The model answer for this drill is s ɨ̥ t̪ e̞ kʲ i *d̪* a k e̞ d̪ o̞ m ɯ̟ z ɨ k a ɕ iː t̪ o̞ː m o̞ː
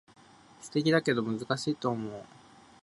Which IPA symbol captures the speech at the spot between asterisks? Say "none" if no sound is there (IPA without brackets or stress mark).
d̪